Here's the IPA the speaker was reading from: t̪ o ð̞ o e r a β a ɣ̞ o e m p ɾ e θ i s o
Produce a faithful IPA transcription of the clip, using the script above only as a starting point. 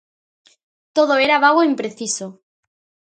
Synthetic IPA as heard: t̪ o ð̞ o e ɾ a β a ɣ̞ o i m p ɾ e θ i s o